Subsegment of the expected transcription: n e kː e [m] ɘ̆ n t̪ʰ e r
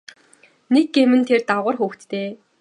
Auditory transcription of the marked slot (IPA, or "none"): m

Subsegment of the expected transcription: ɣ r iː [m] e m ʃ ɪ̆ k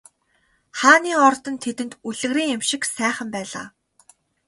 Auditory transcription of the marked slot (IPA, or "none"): ŋ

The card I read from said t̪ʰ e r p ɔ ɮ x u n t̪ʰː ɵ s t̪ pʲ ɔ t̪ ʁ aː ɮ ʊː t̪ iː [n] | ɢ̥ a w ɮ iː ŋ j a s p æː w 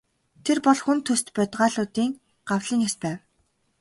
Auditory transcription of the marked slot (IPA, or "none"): ŋ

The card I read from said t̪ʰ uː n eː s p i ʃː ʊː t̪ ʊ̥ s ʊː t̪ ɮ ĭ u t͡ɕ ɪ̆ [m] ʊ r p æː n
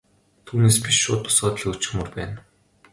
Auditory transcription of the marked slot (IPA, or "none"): m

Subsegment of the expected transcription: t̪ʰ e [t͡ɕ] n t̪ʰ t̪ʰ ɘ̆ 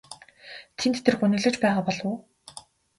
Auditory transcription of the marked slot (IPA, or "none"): none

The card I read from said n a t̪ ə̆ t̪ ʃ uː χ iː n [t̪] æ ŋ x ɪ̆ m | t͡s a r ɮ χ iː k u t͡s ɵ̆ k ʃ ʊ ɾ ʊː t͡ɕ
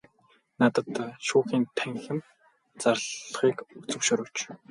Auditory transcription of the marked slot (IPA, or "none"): t̪ʰ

